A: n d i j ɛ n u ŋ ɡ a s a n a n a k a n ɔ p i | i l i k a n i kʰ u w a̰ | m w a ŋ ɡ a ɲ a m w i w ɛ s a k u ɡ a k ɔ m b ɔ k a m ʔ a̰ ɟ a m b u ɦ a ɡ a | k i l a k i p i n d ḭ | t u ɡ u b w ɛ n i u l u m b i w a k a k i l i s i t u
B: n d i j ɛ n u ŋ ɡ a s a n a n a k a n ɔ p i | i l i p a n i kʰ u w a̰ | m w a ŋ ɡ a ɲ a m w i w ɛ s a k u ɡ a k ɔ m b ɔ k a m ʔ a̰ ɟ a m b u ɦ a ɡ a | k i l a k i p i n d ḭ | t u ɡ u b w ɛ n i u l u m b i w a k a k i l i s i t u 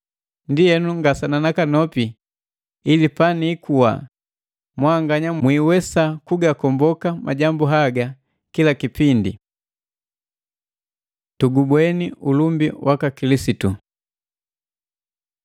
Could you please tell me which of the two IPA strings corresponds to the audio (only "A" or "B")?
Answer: B